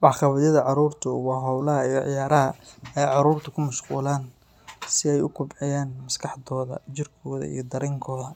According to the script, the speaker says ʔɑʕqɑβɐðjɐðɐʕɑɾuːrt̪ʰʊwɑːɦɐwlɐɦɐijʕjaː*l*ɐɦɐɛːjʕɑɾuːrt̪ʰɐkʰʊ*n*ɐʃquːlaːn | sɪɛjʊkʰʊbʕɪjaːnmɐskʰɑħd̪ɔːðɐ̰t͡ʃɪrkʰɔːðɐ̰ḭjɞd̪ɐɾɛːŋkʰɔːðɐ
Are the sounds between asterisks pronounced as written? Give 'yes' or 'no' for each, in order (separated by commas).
no, no